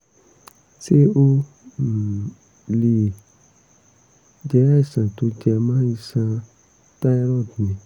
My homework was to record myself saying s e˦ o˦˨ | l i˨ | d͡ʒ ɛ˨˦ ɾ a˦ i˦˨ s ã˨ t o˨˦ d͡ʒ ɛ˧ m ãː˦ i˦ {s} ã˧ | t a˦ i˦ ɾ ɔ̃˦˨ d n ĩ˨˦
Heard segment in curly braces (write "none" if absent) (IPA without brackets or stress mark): s